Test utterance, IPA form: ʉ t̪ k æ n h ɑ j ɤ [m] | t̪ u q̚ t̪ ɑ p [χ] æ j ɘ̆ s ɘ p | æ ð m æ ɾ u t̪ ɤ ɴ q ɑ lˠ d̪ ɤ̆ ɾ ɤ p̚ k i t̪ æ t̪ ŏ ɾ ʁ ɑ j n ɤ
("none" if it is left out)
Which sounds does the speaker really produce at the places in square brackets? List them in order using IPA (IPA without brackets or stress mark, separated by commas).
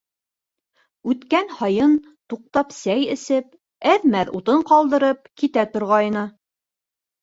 n, s